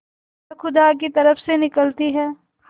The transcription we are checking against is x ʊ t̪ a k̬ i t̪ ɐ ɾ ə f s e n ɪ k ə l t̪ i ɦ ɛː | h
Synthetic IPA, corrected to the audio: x ʊ d̪ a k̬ i t̪ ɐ ɾ ə f s e n ɪ k ə l t̪ i ɦ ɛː | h